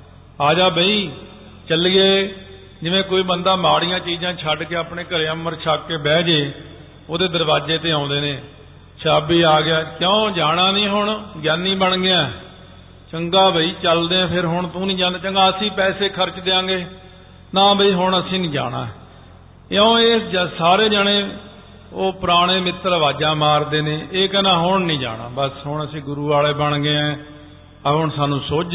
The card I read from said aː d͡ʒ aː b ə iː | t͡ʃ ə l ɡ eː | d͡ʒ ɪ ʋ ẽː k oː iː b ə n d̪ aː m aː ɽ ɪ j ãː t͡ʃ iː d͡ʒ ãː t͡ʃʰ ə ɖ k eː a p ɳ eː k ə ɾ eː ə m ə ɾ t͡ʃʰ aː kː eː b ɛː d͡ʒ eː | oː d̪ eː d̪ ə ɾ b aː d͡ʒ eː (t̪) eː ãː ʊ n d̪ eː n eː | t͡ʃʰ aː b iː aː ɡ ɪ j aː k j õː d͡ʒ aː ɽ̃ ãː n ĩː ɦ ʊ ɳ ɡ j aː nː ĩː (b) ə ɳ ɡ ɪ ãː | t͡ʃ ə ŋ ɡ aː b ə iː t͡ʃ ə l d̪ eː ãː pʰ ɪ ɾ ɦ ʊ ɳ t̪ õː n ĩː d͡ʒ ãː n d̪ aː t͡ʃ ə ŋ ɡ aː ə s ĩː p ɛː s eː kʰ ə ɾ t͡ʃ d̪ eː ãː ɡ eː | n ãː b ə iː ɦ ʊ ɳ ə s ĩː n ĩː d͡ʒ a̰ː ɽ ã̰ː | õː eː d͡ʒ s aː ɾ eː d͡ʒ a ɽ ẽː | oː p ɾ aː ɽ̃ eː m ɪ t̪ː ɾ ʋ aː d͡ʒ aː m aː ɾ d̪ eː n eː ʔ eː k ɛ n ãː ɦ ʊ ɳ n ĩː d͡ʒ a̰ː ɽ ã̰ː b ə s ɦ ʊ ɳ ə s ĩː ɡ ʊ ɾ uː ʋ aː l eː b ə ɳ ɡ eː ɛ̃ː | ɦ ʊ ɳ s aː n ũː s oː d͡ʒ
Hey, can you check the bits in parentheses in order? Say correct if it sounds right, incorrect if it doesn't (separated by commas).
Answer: correct, correct